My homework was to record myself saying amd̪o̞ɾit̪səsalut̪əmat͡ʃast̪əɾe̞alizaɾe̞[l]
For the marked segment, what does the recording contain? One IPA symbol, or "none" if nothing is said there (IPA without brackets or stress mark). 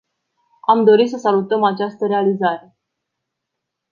none